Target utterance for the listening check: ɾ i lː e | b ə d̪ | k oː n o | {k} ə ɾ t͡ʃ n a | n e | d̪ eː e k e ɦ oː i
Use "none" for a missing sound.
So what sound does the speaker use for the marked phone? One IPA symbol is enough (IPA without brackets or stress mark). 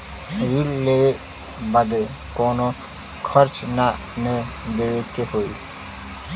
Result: kʰ